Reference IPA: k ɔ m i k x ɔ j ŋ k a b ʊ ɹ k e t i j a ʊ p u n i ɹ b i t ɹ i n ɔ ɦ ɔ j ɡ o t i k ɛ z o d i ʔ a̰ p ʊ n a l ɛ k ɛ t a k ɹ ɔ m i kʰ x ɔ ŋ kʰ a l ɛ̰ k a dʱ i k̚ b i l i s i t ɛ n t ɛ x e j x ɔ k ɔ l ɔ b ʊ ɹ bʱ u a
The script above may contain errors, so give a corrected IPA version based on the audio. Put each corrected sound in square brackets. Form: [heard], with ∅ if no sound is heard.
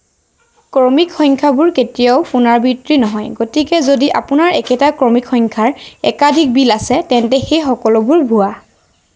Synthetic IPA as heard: k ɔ m i k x ɔ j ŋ [kʰ] a b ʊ ɹ k e t i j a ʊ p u n [a] ɹ b i t ɹ i n ɔ ɦ ɔ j ɡ o t i k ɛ z o d i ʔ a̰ p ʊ n a [ɹ] ɛ k ɛ t a k ɹ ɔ m i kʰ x ɔ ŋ kʰ a [ɹ] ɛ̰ k a dʱ i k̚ b i l [a] s [ɛ] t ɛ n t ɛ x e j x ɔ k ɔ l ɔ b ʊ ɹ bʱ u a